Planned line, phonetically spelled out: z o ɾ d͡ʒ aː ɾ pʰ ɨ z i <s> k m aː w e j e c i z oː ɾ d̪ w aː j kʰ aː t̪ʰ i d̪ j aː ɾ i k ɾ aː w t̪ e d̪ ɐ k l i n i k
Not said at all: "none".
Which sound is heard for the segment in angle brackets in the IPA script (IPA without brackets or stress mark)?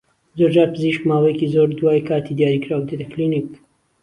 ʃ